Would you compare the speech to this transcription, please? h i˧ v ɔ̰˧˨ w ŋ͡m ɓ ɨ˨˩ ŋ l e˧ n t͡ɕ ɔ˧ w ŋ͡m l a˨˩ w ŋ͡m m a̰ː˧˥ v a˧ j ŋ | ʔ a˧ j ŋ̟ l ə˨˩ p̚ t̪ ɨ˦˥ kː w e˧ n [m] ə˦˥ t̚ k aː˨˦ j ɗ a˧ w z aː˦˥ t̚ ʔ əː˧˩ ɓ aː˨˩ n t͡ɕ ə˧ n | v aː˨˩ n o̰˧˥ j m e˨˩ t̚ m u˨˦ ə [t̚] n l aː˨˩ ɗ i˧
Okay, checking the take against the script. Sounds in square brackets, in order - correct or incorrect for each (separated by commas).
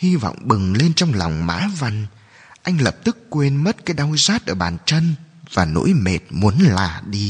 correct, incorrect